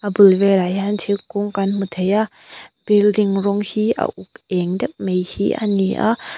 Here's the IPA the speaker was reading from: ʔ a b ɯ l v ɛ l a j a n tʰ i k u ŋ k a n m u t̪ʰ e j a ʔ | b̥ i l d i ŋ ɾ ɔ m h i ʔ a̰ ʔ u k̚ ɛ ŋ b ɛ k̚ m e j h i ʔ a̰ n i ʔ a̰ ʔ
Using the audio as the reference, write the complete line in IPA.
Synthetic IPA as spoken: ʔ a b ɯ l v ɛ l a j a n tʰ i k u ŋ k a n m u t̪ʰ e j a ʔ | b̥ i l d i ŋ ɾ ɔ ŋ h i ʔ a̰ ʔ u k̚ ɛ ŋ d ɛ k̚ m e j h i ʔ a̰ n i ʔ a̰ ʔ

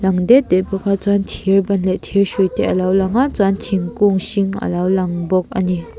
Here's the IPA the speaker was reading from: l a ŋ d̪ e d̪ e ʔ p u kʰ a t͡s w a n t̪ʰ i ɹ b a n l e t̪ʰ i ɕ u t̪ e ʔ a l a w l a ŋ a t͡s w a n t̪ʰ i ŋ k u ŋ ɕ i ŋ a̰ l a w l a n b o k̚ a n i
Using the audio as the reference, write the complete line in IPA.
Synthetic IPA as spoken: l a ŋ d̪ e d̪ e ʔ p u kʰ a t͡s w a n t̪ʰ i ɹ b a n l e t̪ʰ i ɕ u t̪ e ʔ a l a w l a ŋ a t͡s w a n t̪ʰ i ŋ k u ŋ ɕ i ŋ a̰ l a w l a ŋ b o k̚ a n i

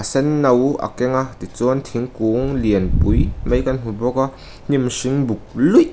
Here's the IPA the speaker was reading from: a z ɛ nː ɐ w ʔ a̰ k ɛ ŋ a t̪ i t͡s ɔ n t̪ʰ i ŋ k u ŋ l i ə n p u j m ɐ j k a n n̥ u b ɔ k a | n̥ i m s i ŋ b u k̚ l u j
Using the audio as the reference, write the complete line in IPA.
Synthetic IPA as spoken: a s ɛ nː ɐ w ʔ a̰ k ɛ ŋ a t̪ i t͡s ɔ n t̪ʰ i ŋ k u ŋ l i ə n p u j m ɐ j k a n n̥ u b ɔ k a | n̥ i m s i ŋ b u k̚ l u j

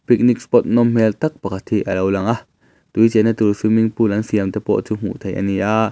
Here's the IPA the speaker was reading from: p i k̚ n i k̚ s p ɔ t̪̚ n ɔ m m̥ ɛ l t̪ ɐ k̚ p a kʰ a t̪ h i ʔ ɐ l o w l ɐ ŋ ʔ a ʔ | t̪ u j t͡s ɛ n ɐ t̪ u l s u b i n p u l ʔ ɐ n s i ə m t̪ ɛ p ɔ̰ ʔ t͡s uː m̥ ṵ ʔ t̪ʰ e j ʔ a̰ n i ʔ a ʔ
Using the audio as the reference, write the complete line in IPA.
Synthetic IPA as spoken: p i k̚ n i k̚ s p ɔ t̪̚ n ɔ m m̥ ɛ l t̪ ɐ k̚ p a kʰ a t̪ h i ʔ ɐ l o w l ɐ ŋ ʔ a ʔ | t̪ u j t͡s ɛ n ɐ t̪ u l s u m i ŋ p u l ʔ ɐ n s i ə m t̪ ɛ p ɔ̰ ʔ t͡s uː m̥ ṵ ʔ t̪ʰ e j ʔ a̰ n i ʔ a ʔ

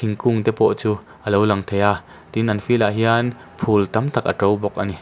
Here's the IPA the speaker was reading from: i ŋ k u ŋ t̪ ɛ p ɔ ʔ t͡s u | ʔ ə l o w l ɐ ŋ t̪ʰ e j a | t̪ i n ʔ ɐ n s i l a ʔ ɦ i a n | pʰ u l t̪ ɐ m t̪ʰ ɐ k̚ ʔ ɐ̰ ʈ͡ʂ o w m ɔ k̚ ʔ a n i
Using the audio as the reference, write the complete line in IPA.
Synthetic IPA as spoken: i ŋ k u ŋ t̪ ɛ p ɔ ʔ t͡s u | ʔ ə l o w l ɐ ŋ t̪ʰ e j a | t̪ i n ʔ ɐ n f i l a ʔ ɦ i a n | pʰ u l t̪ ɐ m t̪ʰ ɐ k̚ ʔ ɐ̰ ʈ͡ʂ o w b ɔ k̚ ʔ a n i

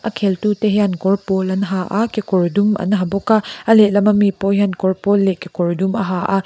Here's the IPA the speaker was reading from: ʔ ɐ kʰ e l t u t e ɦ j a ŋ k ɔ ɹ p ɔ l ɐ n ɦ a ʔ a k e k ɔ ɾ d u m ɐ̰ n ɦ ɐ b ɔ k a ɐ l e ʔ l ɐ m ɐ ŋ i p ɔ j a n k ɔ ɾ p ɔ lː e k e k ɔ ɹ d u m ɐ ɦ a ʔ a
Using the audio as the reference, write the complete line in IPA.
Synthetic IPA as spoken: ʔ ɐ kʰ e l t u t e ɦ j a n k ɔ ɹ p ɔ l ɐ n ɦ a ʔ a k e k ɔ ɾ d u m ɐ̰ n ɦ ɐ b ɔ k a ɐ l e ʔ l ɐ m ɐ m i p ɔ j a n k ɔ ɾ p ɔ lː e k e k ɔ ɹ d u m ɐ ɦ a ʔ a

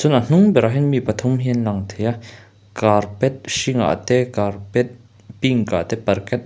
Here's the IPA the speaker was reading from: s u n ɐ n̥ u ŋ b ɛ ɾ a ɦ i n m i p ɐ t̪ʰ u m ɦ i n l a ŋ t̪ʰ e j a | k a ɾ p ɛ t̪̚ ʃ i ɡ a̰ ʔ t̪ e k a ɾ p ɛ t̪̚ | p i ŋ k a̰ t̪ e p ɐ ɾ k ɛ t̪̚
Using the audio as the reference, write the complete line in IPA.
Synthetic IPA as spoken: s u n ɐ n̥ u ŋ b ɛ ɾ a ɦ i n m i p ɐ t̪ʰ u m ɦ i n l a ŋ t̪ʰ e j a | k a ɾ p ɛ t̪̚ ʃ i ŋ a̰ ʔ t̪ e k a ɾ p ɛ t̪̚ | p i ŋ k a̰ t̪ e p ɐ ɾ k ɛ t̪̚

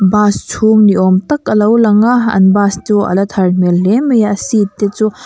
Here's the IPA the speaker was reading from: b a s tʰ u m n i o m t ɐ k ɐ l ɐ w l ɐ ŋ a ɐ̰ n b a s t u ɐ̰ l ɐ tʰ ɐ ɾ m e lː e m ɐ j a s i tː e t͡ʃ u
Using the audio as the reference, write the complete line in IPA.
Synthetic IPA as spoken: b a s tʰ u m n i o m t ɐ k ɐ l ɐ w l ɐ ŋ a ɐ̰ n b a s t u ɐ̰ l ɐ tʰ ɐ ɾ m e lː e m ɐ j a s i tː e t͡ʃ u

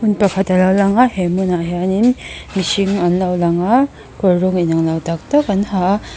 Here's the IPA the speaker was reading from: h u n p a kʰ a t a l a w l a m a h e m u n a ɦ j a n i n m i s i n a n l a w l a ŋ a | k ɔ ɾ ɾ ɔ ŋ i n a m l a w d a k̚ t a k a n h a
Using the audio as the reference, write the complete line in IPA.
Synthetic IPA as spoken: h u n p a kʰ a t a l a w l a ŋ a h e m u n a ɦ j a n i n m i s i ŋ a n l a w l a ŋ a | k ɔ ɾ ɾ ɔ ŋ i n a ŋ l a w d a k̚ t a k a n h a

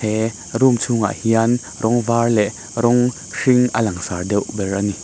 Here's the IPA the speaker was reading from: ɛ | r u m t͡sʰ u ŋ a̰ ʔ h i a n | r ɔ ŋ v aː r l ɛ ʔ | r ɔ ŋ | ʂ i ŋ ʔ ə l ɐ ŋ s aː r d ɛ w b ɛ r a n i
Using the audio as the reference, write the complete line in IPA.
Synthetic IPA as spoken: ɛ | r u m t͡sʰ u ŋ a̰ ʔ h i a n | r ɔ ŋ v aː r l ɛ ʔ | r ɔ ŋ | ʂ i ŋ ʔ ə l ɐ ŋ s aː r d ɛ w b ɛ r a n i

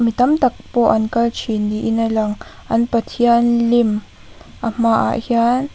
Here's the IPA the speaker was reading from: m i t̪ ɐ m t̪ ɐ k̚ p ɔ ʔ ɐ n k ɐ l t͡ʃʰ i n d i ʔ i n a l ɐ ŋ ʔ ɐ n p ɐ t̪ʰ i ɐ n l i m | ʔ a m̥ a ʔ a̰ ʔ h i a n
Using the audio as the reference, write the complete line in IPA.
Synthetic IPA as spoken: m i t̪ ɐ m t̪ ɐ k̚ p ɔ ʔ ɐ n k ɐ l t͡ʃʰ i n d i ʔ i n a l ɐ ŋ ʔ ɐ n p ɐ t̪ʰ i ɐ n l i m | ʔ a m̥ a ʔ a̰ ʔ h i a n

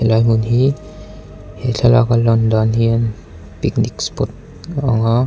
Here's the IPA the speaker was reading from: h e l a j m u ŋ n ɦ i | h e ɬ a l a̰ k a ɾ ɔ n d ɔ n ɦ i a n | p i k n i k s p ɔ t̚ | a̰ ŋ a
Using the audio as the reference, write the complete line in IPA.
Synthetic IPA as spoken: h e l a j m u n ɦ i | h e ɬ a l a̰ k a l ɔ n d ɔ n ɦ i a n | p i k n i k s p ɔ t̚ | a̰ ŋ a

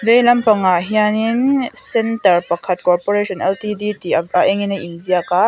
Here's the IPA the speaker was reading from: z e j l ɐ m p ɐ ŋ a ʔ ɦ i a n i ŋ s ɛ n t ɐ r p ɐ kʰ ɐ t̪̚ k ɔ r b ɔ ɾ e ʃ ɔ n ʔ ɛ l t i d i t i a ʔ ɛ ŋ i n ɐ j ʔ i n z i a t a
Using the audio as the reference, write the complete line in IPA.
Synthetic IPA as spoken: z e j l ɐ m p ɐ ŋ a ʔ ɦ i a n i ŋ s ɛ n t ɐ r p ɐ kʰ ɐ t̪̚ k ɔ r p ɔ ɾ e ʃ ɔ n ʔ ɛ l t i d i t i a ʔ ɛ ŋ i n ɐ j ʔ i n z i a k a

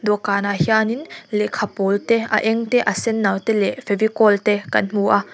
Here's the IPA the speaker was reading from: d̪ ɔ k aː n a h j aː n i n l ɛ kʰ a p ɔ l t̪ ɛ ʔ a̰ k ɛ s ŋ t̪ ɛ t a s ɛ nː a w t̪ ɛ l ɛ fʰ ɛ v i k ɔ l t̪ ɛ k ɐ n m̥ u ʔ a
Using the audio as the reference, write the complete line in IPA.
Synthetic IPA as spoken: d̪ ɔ k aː n a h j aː n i n l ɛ kʰ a p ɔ l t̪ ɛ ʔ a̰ ʔ ɛ ŋ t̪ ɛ ʔ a s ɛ nː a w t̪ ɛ l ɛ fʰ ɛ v i k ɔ l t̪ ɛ k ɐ n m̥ u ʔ a

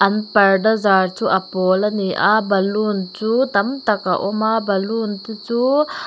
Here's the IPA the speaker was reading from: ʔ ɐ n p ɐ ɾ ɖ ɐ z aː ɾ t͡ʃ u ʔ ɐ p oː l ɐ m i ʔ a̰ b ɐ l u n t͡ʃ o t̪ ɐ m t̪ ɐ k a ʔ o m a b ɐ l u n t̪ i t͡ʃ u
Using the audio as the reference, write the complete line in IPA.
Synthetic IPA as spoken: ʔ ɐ n p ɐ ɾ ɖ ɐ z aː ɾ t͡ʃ u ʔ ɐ p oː l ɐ n i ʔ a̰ b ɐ l u n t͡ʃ u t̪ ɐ m t̪ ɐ k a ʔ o m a b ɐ l u n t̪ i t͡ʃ u

